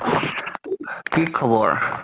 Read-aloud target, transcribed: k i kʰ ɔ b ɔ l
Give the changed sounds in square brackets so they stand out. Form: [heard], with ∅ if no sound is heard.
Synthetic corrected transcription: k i kʰ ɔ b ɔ [ɹ]